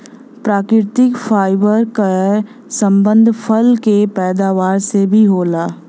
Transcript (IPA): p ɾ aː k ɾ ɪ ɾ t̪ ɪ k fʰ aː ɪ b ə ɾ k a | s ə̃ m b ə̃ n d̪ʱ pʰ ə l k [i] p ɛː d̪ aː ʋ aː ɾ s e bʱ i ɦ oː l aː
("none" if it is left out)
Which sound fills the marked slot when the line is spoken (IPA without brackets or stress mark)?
e